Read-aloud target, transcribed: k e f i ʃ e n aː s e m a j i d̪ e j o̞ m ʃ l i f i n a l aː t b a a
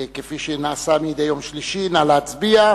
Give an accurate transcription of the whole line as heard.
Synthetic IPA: k e f i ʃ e n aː s a m i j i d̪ e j o̞ m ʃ l i ʃ i n a l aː t͡s b i a